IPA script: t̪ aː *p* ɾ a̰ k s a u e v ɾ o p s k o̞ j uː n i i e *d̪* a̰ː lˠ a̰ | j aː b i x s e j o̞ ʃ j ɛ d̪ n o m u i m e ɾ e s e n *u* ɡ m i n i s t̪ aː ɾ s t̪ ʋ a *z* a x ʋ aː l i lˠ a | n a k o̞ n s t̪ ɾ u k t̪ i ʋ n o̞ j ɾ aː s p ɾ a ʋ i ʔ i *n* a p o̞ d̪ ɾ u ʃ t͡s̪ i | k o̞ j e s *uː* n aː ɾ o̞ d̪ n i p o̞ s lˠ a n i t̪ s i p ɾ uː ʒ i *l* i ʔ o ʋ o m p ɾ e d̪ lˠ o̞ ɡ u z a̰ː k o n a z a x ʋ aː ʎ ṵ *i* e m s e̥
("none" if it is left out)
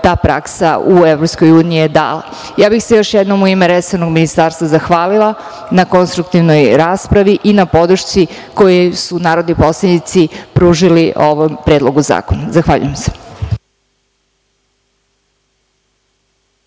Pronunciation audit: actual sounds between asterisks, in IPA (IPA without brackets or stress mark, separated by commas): p, d̪, o, z, n, u, l, j